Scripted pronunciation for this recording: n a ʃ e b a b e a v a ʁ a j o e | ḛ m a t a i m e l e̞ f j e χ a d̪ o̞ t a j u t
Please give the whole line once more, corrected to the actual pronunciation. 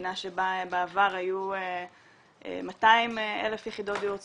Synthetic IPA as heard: n a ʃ e b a b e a v a ʁ a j u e | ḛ m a t a i m e l e̞ f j e χ i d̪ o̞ t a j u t

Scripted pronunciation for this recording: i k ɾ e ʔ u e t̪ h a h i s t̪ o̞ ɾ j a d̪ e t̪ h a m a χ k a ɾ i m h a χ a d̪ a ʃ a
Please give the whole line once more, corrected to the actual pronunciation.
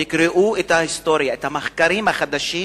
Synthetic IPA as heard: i k ɾ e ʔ u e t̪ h a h i s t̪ o̞ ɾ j a e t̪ h a m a χ k a ɾ i m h a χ a d̪ a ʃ i

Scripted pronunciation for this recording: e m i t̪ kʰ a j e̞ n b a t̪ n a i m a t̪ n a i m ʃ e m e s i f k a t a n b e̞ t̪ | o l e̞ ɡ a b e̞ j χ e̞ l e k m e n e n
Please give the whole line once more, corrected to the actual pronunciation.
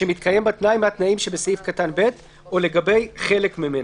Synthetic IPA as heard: e m i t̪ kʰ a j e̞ m b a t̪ n a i m a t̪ n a i m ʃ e b e s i f k a t a n b e̞ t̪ | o l e̞ ɡ a b e̞ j χ e̞ l e k m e m e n

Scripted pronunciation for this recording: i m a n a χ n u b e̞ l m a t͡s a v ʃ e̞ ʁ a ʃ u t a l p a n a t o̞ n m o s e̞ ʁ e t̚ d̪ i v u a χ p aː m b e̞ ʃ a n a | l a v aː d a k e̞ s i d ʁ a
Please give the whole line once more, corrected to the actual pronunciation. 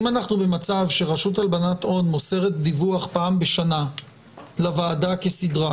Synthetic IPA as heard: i m a n a χ n u b e̞ m a t͡s a v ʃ e̞ ʁ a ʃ u t a l b a n a t o̞ n m o s e̞ ʁ e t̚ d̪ i v u a χ p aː m b e̞ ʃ a n a | l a v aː d a k e̞ s i d ʁ a

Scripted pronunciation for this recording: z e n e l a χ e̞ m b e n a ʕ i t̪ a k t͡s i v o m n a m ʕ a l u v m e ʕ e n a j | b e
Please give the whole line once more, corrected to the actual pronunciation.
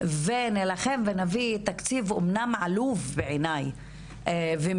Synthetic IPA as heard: v e n e l a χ e̞ m v e n a v i t̪ a k t͡s i v o m n a m ʕ a l u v b e ʕ e n a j | v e

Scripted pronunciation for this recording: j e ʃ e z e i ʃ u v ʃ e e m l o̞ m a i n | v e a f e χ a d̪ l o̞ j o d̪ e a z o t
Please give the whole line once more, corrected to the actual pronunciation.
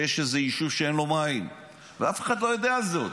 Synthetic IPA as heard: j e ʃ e z e i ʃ u v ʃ e e n l o̞ m a i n | v e a f e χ a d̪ l o̞ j o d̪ e a z o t

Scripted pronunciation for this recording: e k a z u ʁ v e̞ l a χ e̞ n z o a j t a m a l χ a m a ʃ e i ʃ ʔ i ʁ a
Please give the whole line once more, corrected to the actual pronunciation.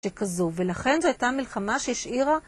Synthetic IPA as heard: e k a z u v e̞ l a χ e̞ n z o a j t a m i l χ a m a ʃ e i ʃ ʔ i ʁ a

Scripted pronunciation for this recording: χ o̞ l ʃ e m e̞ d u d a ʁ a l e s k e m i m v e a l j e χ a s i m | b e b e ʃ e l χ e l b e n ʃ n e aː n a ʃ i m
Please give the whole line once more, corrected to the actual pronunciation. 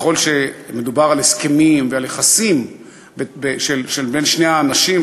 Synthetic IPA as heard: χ o̞ l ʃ e m e̞ d u b a ʁ a l e s k e m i m v e a l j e χ a s i m | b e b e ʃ e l ʃ e l b e n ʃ n e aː n a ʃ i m

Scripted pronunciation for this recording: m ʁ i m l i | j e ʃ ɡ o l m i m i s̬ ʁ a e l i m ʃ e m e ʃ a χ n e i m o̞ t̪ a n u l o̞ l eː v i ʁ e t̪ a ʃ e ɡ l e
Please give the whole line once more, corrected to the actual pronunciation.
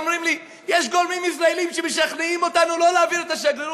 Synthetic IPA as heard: m ʁ i m l i | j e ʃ ɡ o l m i m i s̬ ʁ a e l i m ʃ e m e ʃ a χ n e i m o̞ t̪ a n u l o̞ l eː v i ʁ e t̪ a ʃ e ɡ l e

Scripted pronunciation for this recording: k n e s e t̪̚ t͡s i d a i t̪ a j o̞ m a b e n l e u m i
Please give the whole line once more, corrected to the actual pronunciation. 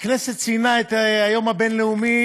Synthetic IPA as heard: k n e s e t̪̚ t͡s i n a e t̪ a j o̞ m a b e n l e u m i

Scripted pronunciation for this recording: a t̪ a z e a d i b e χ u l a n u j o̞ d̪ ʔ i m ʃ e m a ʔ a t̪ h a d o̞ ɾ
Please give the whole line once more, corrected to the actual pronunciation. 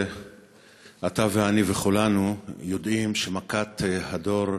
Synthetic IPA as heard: a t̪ a v e a n i v e χ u l a n u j o̞ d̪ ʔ i m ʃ e m a k a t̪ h a d o̞ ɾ

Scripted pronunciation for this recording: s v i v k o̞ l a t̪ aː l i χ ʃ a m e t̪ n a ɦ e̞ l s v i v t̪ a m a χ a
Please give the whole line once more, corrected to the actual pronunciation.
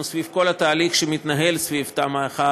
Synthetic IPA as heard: s v i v k o̞ l a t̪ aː l i χ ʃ e m i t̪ n a ɦ e̞ l s v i v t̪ a m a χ a

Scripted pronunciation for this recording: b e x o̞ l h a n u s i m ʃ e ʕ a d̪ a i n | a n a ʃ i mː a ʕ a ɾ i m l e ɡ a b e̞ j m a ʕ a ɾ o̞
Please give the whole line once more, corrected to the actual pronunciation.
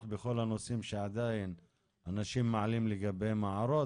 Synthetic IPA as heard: b e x o̞ l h a n o s i m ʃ e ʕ a d̪ a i n | a n a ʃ i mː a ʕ a l i m l e ɡ a b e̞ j m a ʕ a ɾ o̞

